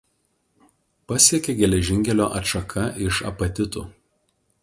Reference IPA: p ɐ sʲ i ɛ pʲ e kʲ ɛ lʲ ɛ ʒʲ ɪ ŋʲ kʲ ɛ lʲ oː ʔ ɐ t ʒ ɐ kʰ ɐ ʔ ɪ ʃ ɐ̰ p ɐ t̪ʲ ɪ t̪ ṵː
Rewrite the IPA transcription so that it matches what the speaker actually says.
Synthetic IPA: p ɐ sʲ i ɛ kʲ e ɡʲ ɛ lʲ ɛ ʒʲ ɪ ŋʲ kʲ ɛ lʲ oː ʔ ɐ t ʃ ɐ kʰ ɐ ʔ ɪ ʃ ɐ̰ p ɐ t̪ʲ ɪ t̪ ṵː